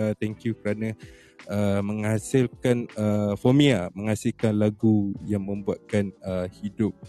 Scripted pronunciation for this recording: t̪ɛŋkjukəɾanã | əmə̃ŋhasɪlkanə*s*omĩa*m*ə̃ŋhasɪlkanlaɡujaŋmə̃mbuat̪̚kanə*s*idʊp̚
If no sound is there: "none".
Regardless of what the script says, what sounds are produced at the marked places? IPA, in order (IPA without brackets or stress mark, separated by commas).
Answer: f, m, h